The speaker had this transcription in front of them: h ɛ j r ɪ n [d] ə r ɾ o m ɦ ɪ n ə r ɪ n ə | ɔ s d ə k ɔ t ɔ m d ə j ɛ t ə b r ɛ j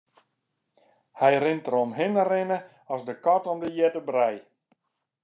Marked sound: incorrect: t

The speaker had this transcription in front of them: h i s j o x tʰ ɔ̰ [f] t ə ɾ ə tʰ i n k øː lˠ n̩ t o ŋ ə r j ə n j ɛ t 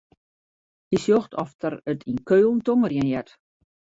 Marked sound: correct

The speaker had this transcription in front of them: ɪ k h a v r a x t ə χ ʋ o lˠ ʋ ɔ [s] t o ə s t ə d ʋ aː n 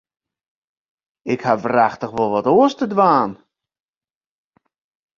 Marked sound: incorrect: none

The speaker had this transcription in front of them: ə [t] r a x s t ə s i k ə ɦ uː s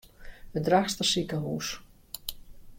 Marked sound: incorrect: d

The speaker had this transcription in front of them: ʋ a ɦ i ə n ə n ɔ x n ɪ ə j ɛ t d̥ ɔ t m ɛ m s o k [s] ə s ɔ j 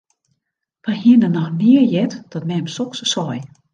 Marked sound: correct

